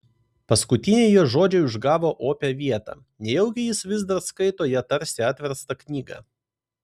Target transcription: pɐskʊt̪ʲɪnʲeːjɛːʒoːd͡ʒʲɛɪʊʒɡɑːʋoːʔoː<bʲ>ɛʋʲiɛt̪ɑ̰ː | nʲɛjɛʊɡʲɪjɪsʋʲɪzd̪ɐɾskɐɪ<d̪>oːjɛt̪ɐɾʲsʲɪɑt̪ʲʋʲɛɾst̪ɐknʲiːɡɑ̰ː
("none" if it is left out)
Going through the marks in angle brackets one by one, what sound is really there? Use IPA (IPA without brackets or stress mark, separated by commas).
pʲ, t̪